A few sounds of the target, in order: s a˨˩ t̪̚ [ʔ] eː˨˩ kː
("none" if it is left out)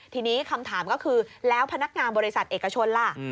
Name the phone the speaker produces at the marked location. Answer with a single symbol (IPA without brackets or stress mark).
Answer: ʔ